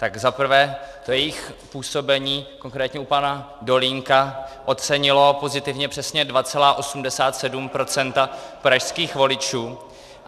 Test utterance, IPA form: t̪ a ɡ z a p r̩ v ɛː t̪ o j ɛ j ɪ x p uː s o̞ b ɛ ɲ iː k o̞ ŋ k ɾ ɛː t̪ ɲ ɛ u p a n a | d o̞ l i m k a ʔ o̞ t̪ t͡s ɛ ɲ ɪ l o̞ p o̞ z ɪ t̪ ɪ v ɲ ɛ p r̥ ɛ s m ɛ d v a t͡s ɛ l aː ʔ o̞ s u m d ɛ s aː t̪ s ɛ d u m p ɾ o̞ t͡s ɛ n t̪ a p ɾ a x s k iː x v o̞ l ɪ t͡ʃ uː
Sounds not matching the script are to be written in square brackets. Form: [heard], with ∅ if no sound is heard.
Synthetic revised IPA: t̪ a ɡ z a p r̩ v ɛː t̪ o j ɛ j ɪ x p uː s o̞ b ɛ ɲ iː k o̞ ŋ k ɾ ɛː t̪ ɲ ɛ u p a n a | d o̞ l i [ŋ] k a ʔ o̞ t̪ t͡s ɛ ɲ ɪ l o̞ p o̞ z ɪ t̪ ɪ v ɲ ɛ p r̥ ɛ s [ɲ] ɛ d v a t͡s ɛ l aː ʔ o̞ s u m d ɛ s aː t̪ s ɛ d u m p ɾ o̞ t͡s ɛ n t̪ a p ɾ a [ʃ] s k iː x v o̞ l ɪ t͡ʃ uː

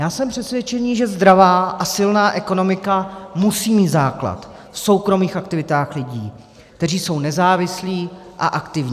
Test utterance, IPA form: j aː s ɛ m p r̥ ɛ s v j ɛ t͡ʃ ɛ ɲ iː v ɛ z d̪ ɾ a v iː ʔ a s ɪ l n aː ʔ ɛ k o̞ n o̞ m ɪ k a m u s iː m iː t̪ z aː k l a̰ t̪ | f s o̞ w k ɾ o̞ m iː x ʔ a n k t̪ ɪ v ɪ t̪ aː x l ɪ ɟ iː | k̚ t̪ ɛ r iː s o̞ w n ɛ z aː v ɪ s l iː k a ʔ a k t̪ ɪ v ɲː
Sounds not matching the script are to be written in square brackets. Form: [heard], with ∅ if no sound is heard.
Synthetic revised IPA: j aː s ɛ m p r̥ ɛ s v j ɛ t͡ʃ ɛ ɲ iː [ʒ] ɛ z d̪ ɾ a v [aː] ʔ a s ɪ l n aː ʔ ɛ k o̞ n o̞ m ɪ k a m u s iː m iː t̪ z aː k l a̰ t̪ | f s o̞ w k ɾ o̞ m iː x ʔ a [∅] k t̪ ɪ v ɪ t̪ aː x l ɪ ɟ iː | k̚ t̪ ɛ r iː s o̞ w n ɛ z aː v ɪ s l iː [ʔ] a ʔ a k t̪ ɪ v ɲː

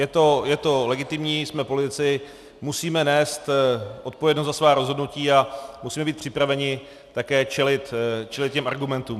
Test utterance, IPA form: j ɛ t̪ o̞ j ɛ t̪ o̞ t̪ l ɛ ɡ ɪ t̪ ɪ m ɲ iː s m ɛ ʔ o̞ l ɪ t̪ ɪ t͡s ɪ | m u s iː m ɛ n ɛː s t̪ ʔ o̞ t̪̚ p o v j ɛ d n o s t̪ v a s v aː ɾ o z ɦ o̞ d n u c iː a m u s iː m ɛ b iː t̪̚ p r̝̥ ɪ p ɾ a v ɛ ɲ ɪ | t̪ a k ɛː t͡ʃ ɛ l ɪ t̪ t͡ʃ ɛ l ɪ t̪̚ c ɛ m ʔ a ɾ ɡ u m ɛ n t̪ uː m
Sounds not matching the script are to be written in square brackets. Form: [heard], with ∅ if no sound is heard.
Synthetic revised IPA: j ɛ t̪ o̞ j ɛ t̪ o̞ [∅] l ɛ ɡ ɪ t̪ ɪ m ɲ iː s m ɛ [p] o̞ l ɪ t̪ ɪ t͡s ɪ | m u s iː m ɛ n ɛː s t̪ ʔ o̞ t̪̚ p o v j ɛ d n o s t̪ [z] a s v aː ɾ o z ɦ o̞ d n u c iː a m u s iː m ɛ b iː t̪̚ p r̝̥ ɪ p ɾ a v ɛ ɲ ɪ | t̪ a k ɛː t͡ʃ ɛ l ɪ t̪ t͡ʃ ɛ l ɪ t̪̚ c ɛ m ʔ a ɾ ɡ u m ɛ n t̪ uː m

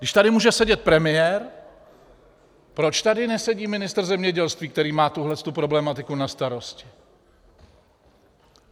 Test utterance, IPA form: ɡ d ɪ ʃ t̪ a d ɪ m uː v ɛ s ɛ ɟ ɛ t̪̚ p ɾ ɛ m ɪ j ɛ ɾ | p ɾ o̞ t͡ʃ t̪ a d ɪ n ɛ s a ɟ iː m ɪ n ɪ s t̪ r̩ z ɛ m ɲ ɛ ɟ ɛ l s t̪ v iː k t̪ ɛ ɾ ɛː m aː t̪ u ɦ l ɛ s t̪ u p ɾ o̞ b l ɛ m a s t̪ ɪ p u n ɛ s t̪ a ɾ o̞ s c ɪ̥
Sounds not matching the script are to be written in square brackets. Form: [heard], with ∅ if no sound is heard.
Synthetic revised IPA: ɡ d ɪ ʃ t̪ a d ɪ m uː [ʒ] ɛ s ɛ ɟ ɛ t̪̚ p ɾ ɛ m ɪ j ɛ ɾ | p ɾ o̞ t͡ʃ t̪ a d ɪ n ɛ s [ɛ] ɟ iː m ɪ n ɪ s t̪ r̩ z ɛ m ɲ ɛ ɟ ɛ l s t̪ v iː k t̪ ɛ ɾ [iː] m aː t̪ u ɦ l ɛ s t̪ u p ɾ o̞ b l ɛ m a [∅] t̪ ɪ [k] u n [a] s t̪ a ɾ o̞ s c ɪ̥

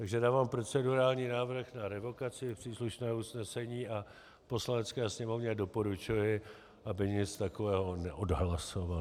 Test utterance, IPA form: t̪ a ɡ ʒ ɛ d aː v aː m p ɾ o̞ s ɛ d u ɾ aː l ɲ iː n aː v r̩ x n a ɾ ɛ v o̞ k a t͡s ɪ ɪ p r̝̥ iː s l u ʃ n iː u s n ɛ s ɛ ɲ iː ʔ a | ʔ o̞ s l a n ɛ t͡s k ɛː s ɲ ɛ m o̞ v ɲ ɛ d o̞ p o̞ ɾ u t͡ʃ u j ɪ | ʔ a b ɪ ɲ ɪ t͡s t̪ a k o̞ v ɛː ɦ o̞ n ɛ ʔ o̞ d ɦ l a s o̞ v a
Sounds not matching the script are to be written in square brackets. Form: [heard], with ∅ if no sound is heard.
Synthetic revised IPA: t̪ a ɡ ʒ ɛ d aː v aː m p ɾ o̞ [t͡s] ɛ d u ɾ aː l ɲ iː n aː v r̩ x n a ɾ ɛ v o̞ k a t͡s ɪ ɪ p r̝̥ iː s l u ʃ n [ɛː] u s n ɛ s ɛ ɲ iː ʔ a | [p] o̞ s l a n ɛ t͡s k ɛː s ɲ ɛ m o̞ v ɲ ɛ d o̞ p o̞ ɾ u t͡ʃ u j ɪ | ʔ a b ɪ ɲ ɪ t͡s t̪ a k o̞ v ɛː ɦ o̞ n ɛ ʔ o̞ d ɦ l a s o̞ v a

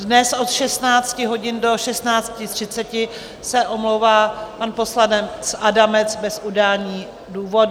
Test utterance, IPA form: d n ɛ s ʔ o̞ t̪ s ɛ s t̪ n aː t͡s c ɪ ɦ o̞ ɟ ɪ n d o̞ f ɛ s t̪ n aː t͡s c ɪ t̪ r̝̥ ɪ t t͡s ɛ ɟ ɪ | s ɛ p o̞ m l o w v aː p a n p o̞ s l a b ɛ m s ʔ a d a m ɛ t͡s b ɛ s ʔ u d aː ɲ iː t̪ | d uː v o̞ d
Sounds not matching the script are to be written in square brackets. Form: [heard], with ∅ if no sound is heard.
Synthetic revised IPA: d n ɛ s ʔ o̞ t̪ [ʃ] ɛ s t̪ n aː t͡s c ɪ ɦ o̞ ɟ ɪ n d o̞ [ʃ] ɛ s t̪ n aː t͡s c ɪ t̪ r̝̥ ɪ t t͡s ɛ [c] ɪ | s ɛ [ʔ] o̞ m l o w v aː p a n p o̞ s l a [d] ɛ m s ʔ a d a m ɛ t͡s b ɛ s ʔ u d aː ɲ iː [∅] | d uː v o̞ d

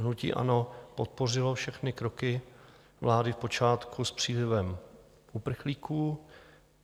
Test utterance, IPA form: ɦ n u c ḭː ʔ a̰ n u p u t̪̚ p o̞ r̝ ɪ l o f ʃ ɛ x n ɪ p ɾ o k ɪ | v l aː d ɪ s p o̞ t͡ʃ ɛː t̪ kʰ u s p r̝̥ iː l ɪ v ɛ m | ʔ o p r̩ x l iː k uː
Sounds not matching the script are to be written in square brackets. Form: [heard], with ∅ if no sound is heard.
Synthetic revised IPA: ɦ n u c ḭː ʔ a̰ n [o] p [o] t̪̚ p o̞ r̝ ɪ l o f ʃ ɛ x n ɪ [k] ɾ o k ɪ | v l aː d ɪ [f] p o̞ t͡ʃ [aː] t̪ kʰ u s p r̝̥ iː l ɪ v ɛ m | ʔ [u] p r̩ x l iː k uː

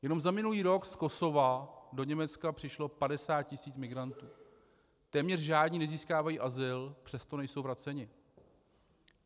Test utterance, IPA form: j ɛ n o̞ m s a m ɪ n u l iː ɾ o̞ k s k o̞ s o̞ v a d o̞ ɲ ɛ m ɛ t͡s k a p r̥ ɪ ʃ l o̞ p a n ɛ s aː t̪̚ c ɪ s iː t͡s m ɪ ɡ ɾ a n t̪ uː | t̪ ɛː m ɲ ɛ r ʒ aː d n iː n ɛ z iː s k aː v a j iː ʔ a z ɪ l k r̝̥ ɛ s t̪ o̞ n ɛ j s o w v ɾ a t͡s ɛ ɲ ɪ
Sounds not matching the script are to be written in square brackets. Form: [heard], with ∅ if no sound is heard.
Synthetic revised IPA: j ɛ n o̞ m [z] a m ɪ n u l iː ɾ o̞ k s k o̞ s o̞ v a d o̞ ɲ ɛ m ɛ t͡s k a p r̥ ɪ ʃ l o̞ p a [d] ɛ s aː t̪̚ c ɪ s iː t͡s m ɪ ɡ ɾ a n t̪ uː | t̪ ɛː m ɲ ɛ r ʒ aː d [ɲ] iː n ɛ z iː s k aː v a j iː ʔ a z ɪ l [p] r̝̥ ɛ s t̪ o̞ n ɛ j s o w v ɾ a t͡s ɛ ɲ ɪ

